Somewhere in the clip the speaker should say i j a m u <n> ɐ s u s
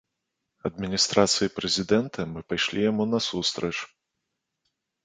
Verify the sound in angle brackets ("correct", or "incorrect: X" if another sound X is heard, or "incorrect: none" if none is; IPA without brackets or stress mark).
correct